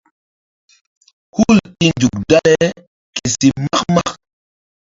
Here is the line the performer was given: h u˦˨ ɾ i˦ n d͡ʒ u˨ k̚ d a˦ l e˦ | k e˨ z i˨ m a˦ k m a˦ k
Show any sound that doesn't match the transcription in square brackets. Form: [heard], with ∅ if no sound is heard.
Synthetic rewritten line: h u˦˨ [l] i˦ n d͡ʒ u˨ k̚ d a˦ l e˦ | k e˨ [s] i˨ m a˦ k m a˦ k